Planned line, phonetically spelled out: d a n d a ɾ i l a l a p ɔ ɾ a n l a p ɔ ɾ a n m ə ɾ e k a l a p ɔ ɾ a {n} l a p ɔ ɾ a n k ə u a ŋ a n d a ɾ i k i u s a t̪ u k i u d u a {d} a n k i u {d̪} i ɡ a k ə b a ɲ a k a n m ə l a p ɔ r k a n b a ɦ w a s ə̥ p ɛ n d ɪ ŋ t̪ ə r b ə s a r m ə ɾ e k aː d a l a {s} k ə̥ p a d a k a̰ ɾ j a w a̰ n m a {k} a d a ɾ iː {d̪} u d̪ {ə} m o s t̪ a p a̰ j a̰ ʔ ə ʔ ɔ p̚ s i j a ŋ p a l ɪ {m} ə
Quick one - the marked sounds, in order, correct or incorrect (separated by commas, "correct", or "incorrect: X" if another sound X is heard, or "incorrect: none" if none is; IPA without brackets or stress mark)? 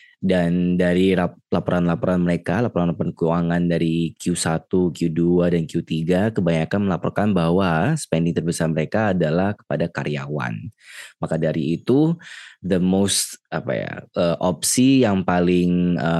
correct, correct, incorrect: t̪, incorrect: h, correct, incorrect: t̪, correct, incorrect: ŋ